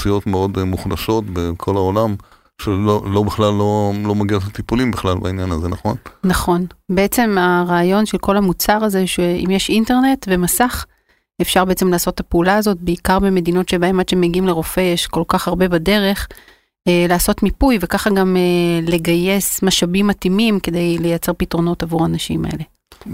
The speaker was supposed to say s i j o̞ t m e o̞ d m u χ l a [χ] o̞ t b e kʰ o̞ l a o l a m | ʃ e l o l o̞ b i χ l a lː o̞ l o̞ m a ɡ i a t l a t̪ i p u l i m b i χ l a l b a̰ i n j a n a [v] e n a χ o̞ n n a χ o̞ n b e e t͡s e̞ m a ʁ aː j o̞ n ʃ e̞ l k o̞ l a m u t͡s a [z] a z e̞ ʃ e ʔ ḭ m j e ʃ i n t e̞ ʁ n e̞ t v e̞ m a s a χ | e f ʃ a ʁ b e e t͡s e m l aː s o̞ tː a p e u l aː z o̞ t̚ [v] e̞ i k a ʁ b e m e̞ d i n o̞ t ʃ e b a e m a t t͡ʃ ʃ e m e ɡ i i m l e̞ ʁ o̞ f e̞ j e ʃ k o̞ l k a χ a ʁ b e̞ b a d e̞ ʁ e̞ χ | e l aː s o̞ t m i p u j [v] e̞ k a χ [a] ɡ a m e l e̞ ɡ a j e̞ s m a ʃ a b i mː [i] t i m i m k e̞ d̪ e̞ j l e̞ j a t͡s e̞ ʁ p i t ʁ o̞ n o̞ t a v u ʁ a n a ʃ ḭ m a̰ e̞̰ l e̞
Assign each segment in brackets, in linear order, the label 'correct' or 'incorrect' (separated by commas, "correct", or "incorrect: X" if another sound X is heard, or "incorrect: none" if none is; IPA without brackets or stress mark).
incorrect: ʃ, incorrect: z, incorrect: ʁ, incorrect: b, correct, correct, incorrect: a